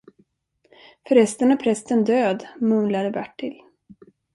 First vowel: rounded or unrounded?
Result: rounded